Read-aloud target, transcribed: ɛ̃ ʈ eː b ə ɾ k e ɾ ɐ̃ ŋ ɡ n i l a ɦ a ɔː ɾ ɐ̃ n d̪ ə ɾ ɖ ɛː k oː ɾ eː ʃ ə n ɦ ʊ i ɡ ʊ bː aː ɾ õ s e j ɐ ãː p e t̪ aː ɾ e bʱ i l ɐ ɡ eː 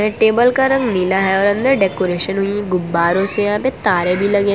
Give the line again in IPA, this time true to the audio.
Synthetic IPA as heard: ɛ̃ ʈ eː b ə l k a ɾ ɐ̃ ŋ ɡ n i l a ɦ ɛ ɔː ɾ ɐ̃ n d̪ ə ɾ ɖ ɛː k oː ɾ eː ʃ ə n ɦ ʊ i ɡ ʊ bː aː ɾ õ s e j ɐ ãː p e t̪ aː ɾ e bʱ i l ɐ ɡ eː